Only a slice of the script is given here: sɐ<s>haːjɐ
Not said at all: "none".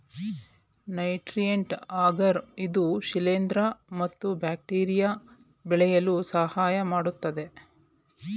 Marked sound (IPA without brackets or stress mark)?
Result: none